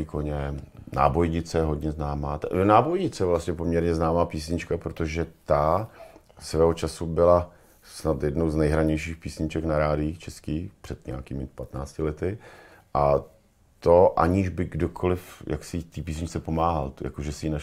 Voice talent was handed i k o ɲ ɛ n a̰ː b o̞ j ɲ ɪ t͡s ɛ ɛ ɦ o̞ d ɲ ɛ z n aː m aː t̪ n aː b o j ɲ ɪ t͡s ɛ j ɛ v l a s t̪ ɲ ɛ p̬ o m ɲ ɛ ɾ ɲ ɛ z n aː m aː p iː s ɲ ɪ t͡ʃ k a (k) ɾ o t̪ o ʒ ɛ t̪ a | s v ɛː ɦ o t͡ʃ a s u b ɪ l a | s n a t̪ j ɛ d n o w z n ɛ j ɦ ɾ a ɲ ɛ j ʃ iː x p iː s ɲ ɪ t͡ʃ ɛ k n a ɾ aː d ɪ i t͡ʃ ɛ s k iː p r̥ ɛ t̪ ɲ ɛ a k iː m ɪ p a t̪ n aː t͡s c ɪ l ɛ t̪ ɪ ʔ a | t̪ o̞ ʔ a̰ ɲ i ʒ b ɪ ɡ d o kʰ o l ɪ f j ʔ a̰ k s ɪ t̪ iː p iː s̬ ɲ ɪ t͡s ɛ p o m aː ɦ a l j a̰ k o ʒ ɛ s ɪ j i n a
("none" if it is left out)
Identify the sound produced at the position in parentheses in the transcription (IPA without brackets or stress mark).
p